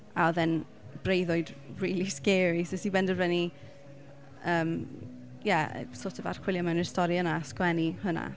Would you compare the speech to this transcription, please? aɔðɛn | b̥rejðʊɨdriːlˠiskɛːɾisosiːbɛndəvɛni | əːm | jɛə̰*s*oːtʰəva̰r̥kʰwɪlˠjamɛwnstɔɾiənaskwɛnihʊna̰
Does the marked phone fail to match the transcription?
no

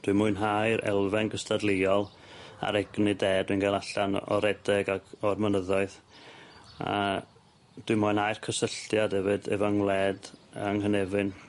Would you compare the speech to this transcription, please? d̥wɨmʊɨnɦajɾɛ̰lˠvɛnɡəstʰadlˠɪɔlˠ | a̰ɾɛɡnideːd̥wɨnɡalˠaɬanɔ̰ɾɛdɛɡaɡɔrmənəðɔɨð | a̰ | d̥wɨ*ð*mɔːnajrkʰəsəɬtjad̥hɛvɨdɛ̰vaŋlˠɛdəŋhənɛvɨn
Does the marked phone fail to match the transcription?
yes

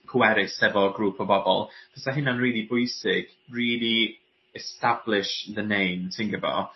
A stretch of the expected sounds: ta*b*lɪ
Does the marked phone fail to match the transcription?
no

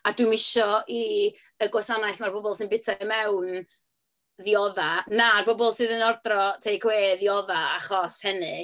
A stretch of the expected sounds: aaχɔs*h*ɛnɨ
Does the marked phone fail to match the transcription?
no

